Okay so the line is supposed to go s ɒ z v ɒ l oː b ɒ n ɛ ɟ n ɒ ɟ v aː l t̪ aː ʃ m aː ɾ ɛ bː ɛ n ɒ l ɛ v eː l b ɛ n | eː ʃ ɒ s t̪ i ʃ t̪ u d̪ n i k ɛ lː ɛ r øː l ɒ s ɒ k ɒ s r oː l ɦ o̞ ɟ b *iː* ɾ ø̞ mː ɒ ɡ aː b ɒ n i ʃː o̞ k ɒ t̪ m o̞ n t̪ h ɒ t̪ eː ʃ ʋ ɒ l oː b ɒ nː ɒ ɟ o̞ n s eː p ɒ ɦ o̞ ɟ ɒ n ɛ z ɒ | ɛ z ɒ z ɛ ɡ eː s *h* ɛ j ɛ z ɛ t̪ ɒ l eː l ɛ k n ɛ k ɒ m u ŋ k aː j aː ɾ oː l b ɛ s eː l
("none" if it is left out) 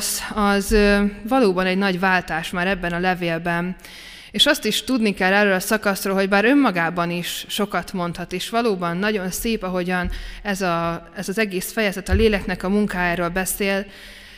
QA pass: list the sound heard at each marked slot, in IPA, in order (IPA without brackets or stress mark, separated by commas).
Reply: aː, f